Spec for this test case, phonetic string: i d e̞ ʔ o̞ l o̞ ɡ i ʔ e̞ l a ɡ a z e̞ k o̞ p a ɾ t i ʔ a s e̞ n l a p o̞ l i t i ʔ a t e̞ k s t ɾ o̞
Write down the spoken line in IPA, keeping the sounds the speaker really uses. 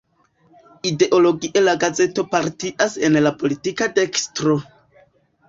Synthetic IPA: i d e̞ ʔ o̞ l o̞ ɡ i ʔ e̞ l a ɡ a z e̞ t o̞ p a ɾ t i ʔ a s e̞ n l a p o̞ l i t i k a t e̞ k s t ɾ o̞

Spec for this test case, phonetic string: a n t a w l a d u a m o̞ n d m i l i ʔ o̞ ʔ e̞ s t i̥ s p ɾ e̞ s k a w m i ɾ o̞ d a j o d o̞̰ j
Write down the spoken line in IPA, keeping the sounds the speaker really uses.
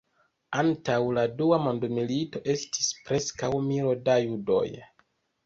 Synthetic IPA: a n t a w l a d u a m o̞ n d m i l i t o̞ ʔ e̞ s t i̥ s p ɾ e̞ s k a w m i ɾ o̞ d a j u d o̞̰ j

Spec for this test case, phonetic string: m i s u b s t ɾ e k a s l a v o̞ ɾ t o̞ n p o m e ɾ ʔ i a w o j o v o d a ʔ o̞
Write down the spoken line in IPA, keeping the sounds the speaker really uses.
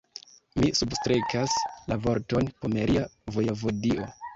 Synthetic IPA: m i s u b s t ɾ e k a s l a v o̞ ɾ t o̞ n p o m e ɾ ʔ i a v o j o v o d i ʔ o̞

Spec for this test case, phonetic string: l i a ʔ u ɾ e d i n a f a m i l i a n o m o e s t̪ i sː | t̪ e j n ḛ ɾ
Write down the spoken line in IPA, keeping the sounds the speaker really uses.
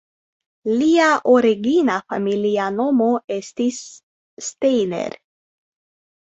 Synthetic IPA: l i a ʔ o ɾ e ɡ i n a f a m i l i a n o m o e s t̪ i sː | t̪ e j n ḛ ɾ

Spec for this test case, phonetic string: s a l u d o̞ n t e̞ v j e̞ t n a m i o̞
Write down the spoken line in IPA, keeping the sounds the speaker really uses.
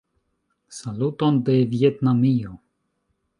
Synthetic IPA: s a l u t o̞ n d e̞ v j e̞ t n a m i o̞

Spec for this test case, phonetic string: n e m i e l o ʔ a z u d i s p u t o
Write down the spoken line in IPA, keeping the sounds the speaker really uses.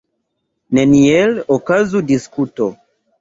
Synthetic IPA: n e n i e l o k a z u d i s k u t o

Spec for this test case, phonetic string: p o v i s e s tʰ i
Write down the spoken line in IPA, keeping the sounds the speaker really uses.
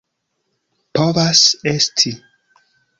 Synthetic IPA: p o v a s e s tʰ i

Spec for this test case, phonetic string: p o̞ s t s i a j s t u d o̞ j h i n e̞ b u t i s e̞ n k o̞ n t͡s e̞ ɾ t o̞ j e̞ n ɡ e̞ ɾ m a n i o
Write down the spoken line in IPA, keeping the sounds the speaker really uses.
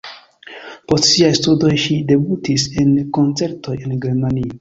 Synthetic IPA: p o̞ s t s i a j s t u d o̞ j ʃ i d e̞ b u t i s e̞ n k o̞ n t͡s e̞ ɾ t o̞ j e̞ n ɡ e̞ ɾ m a n i o

